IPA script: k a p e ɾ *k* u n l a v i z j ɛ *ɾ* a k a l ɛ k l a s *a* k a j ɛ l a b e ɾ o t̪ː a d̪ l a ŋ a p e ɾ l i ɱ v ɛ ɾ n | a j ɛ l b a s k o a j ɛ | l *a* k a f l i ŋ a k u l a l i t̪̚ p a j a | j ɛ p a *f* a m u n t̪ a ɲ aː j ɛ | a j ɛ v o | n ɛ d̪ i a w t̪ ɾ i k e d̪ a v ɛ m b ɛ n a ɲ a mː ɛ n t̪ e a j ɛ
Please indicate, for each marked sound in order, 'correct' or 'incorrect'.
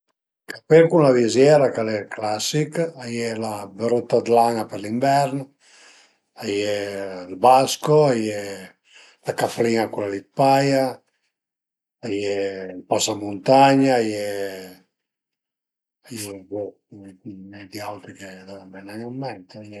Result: correct, correct, incorrect: i, correct, incorrect: s

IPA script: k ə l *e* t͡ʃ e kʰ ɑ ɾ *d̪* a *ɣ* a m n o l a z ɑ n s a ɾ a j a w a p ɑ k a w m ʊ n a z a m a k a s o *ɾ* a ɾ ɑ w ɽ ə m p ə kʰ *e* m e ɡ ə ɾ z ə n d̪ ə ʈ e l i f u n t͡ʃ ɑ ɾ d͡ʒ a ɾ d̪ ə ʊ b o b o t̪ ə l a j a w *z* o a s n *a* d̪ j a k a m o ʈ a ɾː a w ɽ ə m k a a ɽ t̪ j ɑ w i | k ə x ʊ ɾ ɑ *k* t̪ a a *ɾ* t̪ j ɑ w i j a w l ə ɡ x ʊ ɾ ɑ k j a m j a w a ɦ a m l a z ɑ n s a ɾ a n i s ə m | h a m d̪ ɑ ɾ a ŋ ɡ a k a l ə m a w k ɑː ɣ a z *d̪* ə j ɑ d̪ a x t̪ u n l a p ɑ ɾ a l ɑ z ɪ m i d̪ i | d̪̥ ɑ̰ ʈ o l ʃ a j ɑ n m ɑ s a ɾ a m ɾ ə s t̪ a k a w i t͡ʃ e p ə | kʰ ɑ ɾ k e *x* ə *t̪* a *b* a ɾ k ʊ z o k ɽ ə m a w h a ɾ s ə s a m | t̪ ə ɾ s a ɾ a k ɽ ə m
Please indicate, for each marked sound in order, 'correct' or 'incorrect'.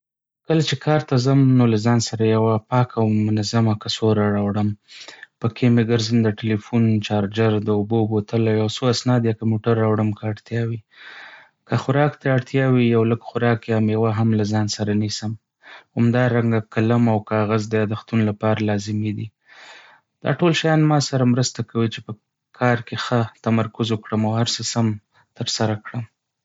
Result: incorrect: a, incorrect: t̪, incorrect: z, correct, correct, incorrect: s, incorrect: ɑ, correct, incorrect: ɽ, correct, correct, correct, incorrect: m

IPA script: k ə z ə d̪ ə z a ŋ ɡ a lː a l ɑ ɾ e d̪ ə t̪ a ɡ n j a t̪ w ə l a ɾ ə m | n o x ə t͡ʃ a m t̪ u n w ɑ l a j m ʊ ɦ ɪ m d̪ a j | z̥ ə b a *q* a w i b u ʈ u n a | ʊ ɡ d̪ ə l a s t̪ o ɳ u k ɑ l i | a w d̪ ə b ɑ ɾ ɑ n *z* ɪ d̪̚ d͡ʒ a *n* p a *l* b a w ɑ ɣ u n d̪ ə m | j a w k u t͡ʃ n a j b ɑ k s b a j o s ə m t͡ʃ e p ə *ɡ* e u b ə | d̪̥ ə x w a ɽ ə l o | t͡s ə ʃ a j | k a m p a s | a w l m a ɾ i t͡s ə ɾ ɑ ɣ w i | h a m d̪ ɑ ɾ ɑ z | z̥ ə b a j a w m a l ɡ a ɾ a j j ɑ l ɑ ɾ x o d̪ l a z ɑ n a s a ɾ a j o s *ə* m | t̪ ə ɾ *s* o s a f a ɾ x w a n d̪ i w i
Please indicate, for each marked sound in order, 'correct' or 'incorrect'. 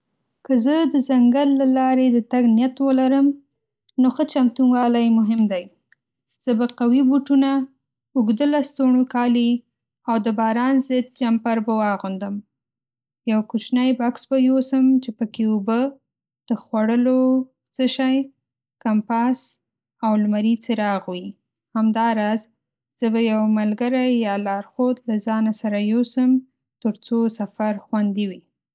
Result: correct, correct, incorrect: m, incorrect: ɾ, incorrect: k, correct, incorrect: t͡s

